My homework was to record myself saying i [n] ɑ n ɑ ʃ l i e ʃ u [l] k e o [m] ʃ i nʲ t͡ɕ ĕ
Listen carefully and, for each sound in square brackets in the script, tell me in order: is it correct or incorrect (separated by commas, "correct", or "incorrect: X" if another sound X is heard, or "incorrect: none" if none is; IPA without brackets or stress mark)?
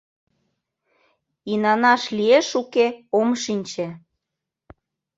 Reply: correct, incorrect: none, correct